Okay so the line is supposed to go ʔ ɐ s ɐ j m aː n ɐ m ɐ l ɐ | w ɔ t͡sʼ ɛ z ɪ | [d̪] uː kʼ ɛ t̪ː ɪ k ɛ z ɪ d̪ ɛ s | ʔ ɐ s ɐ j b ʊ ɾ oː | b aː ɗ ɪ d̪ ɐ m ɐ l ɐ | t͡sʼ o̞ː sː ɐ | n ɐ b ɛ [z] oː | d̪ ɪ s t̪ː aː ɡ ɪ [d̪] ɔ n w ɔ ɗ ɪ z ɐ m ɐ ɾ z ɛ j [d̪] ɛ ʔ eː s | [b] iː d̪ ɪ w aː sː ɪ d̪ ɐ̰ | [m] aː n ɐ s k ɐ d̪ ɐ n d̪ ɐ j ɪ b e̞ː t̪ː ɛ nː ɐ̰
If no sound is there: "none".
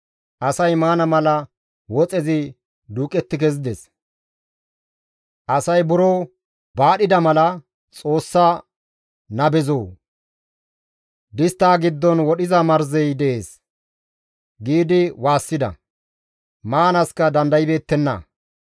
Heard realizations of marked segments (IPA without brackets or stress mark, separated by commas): d̪, z, d̪ː, d̪, ɡ, m